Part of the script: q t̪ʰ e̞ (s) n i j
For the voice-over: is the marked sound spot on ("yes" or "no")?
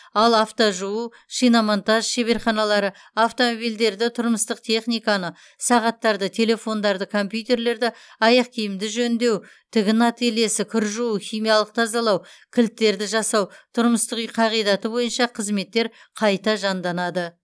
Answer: no